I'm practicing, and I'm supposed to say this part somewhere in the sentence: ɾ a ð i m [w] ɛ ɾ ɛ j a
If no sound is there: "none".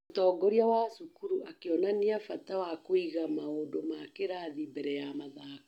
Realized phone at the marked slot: b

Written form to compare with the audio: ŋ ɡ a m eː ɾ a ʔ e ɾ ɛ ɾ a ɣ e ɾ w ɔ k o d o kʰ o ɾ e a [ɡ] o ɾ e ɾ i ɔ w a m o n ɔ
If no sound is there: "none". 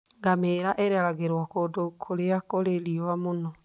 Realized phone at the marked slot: k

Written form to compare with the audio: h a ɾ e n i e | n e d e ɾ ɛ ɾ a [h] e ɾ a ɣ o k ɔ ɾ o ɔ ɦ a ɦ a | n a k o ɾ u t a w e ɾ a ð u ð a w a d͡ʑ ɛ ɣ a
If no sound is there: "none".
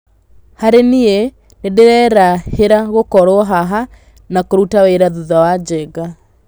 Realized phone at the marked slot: h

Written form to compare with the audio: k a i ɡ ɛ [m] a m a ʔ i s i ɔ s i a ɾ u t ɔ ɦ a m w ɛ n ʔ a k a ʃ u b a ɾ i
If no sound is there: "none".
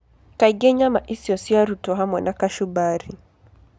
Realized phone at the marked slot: ɲ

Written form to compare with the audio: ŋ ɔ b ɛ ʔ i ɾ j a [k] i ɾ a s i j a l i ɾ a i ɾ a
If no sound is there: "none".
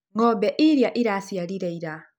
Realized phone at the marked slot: ʔ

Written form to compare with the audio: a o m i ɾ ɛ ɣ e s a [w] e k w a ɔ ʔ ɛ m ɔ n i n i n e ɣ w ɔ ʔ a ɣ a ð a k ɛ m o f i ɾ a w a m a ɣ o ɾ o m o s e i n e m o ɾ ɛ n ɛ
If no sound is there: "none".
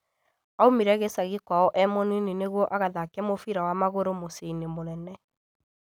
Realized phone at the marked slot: ɣ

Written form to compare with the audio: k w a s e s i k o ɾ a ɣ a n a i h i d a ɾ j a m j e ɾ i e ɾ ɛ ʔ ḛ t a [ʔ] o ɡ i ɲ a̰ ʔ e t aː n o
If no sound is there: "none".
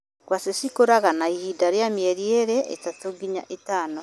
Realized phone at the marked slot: t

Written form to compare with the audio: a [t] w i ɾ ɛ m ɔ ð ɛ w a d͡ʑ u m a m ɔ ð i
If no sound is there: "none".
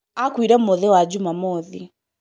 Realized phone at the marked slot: k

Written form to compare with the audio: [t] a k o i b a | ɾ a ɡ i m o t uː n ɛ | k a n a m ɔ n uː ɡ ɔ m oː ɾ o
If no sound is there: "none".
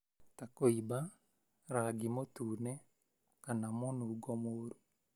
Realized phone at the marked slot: t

